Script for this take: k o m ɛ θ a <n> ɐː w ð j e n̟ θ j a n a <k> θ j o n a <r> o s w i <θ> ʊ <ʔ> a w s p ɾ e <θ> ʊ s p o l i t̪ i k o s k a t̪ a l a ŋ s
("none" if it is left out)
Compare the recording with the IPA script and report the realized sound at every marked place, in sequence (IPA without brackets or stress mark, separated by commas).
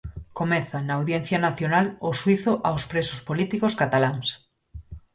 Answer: n, none, l, θ, ʔ, s